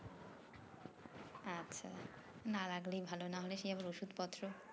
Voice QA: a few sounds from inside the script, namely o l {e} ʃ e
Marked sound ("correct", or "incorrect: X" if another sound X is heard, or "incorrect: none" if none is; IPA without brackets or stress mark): correct